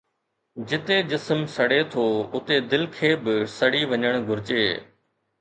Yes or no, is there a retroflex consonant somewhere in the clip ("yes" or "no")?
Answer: yes